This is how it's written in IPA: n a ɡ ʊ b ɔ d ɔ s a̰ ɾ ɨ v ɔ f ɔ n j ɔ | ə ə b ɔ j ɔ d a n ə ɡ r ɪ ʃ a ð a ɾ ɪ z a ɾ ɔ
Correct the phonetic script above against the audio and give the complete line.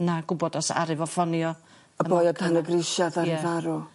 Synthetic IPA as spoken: n a ɡ ʊ b ɔ d ɔ s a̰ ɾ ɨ v ɔ f ɔ n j ɔ | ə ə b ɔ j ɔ d a n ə ɡ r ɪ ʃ a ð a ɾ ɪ v a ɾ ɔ